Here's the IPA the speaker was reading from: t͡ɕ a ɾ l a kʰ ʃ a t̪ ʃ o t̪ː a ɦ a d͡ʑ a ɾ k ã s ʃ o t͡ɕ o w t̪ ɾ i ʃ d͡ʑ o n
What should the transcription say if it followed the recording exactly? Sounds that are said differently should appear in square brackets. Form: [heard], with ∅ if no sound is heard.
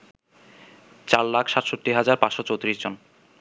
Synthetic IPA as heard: t͡ɕ a ɾ l a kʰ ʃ a t̪ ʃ o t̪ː [i] ɦ a d͡ʑ a ɾ [p] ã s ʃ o t͡ɕ o w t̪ ɾ i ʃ d͡ʑ o n